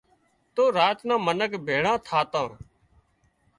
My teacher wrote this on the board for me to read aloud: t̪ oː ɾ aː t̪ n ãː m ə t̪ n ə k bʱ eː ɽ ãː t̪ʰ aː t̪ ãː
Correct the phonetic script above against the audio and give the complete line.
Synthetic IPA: t̪ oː ɾ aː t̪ n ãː m ə n ə k bʱ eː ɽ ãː t̪ʰ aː t̪ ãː